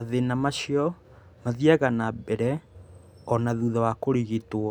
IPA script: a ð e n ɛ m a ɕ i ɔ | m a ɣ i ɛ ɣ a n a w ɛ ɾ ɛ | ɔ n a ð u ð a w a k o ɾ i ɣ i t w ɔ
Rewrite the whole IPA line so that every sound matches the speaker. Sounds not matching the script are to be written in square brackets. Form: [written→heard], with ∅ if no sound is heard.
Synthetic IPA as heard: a ð e n [ɛ→a] m a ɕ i ɔ | m a [ɣ→ð] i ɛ ɣ a n a [w→b] ɛ ɾ ɛ | ɔ n a ð u ð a w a k o ɾ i ɣ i t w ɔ

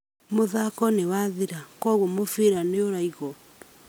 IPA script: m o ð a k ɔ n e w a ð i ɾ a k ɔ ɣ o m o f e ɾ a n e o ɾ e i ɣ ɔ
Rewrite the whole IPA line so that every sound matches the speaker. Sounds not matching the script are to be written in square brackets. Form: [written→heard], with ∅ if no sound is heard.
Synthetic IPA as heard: m o ð a k ɔ n e w a ð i ɾ a k ɔ ɣ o m o f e ɾ a n e o ɾ [e→a] i ɣ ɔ

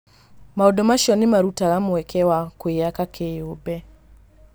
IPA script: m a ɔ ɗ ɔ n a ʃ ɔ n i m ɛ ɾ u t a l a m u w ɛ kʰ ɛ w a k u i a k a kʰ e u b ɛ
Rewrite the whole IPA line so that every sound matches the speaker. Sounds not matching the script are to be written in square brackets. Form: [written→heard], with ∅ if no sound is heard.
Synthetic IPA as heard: m a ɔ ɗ ɔ [n→m] a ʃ ɔ n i m [ɛ→a] ɾ u t a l a m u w ɛ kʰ ɛ w a k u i a k a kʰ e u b ɛ

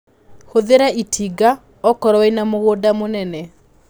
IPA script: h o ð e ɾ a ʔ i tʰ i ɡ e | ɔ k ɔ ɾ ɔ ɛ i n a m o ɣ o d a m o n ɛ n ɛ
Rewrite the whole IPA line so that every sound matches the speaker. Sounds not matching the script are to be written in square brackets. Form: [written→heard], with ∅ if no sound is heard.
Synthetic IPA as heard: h o ð e ɾ a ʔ i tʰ i ɡ [e→a] | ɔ k ɔ ɾ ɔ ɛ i n a m o ɣ o d a m o n ɛ n ɛ

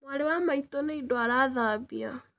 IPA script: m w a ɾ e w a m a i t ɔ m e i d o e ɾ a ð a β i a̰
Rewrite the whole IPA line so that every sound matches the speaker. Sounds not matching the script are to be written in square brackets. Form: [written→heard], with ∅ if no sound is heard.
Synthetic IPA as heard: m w a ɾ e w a m a i t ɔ [m→n] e i d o [e→a] ɾ a ð a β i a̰

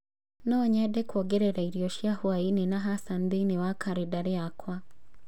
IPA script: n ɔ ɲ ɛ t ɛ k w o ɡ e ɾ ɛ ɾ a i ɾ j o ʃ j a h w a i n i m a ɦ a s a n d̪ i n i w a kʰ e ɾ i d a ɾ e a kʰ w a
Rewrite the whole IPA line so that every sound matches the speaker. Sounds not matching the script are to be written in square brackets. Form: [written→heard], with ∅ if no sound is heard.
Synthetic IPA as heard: n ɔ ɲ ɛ [t→d] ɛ k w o ɡ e ɾ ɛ ɾ a i ɾ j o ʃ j a h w a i n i [m→n] a ɦ a s a n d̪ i n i w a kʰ [e→a] ɾ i d a ɾ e a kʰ w a

